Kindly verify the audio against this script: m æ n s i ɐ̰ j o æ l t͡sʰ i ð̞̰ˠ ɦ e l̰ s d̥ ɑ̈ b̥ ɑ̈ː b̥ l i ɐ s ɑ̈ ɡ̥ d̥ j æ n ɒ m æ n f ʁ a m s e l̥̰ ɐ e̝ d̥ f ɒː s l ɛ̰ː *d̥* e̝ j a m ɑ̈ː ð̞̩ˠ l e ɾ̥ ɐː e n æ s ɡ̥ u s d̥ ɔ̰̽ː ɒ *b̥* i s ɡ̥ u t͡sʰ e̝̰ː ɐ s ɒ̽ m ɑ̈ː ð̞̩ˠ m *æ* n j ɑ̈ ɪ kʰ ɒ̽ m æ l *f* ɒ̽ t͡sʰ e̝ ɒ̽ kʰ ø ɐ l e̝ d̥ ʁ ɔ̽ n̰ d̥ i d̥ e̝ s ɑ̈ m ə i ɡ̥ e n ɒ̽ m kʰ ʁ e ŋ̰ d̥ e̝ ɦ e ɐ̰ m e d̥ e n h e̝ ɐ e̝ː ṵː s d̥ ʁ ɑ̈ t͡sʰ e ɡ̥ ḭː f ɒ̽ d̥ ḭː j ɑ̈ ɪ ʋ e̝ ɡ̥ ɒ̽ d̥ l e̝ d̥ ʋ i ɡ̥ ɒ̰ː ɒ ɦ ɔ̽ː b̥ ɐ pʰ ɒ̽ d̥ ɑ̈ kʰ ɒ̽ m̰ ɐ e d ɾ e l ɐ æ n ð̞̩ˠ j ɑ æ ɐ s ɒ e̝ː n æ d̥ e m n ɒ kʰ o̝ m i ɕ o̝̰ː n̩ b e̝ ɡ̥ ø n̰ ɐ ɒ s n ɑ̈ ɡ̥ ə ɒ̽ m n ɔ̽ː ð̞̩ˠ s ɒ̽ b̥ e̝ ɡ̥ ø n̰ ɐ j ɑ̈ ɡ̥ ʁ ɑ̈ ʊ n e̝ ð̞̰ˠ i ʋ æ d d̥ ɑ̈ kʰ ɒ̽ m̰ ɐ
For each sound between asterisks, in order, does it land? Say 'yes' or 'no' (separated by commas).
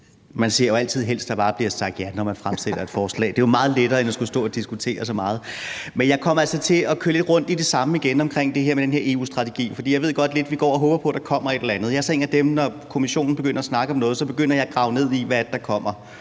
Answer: yes, no, no, no